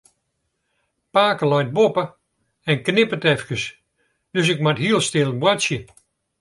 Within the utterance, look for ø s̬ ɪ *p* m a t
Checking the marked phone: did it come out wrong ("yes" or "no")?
yes